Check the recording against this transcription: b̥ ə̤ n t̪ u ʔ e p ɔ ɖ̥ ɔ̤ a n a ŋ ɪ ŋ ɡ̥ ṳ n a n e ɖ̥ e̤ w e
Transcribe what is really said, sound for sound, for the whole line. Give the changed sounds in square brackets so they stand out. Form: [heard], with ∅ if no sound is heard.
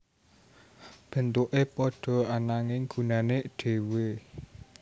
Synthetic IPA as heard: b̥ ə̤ n t̪ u ʔ e p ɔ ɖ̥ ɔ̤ a n a ŋ ɪ ŋ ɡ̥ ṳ n a n e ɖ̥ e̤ w e